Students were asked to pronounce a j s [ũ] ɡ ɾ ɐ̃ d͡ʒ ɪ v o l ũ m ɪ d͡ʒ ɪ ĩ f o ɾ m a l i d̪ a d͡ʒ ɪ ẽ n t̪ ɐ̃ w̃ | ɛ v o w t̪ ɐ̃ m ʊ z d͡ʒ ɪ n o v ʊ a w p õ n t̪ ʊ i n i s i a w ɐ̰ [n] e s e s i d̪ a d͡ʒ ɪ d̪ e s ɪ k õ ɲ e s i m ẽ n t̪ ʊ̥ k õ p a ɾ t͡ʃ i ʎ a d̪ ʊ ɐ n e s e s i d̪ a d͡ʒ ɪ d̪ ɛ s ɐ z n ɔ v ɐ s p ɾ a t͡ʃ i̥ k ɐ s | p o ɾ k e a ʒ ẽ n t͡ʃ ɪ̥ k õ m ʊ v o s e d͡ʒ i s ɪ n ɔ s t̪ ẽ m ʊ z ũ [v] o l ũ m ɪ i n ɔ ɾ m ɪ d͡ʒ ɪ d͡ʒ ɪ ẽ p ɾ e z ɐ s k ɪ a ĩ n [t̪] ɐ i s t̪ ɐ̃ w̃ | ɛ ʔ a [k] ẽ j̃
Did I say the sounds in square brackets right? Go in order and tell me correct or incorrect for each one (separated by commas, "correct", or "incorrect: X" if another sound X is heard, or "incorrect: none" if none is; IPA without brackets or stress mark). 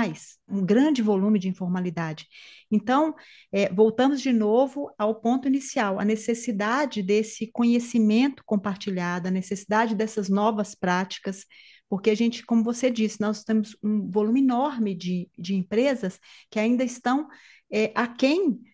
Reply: correct, correct, correct, incorrect: d̪, correct